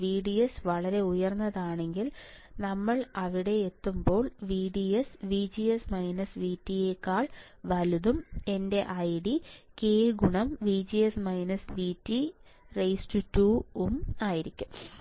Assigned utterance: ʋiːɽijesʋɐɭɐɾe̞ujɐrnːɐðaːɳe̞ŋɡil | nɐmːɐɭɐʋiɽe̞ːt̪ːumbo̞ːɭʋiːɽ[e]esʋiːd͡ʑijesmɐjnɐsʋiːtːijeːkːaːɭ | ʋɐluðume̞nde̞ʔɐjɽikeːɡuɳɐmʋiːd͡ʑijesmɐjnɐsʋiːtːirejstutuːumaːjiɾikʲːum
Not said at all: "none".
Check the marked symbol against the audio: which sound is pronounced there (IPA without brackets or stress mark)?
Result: i